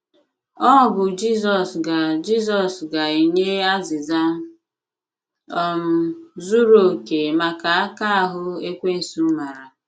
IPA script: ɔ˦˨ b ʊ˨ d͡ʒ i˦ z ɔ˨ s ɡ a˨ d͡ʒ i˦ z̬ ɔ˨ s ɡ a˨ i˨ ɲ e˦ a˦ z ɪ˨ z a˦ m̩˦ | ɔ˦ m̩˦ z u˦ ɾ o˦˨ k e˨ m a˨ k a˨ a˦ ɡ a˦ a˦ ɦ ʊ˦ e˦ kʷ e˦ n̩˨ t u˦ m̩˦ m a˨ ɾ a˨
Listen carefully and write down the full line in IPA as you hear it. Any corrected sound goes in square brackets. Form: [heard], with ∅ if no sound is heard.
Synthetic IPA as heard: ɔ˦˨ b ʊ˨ d͡ʒ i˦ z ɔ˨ s ɡ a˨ d͡ʒ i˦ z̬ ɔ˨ s ɡ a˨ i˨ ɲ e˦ a˦ z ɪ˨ z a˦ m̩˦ | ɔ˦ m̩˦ z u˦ ɾ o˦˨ k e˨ m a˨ k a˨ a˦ [k] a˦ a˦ ɦ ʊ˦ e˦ kʷ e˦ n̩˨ [s] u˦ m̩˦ m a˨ ɾ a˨